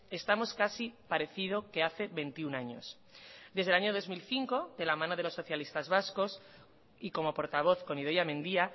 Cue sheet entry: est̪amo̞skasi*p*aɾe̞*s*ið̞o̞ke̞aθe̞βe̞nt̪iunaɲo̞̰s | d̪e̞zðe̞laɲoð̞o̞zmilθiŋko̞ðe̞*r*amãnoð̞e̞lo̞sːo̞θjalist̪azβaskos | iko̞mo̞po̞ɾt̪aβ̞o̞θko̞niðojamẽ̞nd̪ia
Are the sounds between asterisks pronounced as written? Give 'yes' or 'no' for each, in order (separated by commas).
yes, no, no